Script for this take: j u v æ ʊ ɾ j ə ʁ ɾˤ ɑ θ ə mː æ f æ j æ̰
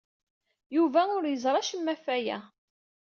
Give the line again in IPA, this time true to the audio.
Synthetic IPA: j u v æ ʊ ɾ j ə z ɾˤ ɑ ʃ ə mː æ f æ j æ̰